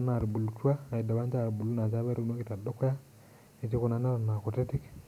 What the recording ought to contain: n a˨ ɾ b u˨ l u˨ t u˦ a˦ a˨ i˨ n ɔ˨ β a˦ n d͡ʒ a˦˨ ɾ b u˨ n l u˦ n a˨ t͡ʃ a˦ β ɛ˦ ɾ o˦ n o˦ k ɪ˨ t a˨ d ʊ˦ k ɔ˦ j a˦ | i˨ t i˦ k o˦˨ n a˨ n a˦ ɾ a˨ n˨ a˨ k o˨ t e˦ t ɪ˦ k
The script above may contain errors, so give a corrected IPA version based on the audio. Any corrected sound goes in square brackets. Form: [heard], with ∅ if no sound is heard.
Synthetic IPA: n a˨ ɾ b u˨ l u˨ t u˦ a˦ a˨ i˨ [d] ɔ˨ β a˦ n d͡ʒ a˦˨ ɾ b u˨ [∅] l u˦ n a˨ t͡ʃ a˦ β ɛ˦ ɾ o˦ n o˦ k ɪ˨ t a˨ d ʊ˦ k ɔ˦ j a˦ | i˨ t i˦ k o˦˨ n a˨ n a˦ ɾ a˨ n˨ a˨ k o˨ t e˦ t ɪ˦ k